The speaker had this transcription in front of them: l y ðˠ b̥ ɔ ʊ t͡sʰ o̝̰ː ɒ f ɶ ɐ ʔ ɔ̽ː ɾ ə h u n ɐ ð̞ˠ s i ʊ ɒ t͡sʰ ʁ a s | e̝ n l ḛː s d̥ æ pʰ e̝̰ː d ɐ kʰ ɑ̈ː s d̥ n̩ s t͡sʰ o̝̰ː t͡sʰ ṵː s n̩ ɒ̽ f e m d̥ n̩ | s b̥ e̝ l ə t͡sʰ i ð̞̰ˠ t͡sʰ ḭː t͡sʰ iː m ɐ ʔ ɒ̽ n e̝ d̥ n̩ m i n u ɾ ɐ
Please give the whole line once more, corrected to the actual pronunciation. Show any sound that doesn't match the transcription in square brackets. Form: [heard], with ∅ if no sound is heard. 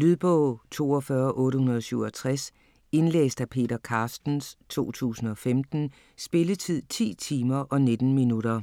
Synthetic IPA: l y ðˠ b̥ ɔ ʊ t͡sʰ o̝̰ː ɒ f ɶ ɐ ʔ ɔ̽ː ɾ ə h u n ɐ ð̞ˠ s [y] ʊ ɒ t͡sʰ ʁ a s | e̝ n l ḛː s d̥ æ pʰ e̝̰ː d ɐ kʰ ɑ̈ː s d̥ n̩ s t͡sʰ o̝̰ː t͡sʰ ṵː s n̩ ɒ̽ f e m d̥ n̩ | s b̥ e̝ l ə t͡sʰ i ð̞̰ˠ t͡sʰ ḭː t͡sʰ iː m ɐ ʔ ɒ̽ n e̝ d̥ n̩ m i n u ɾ ɐ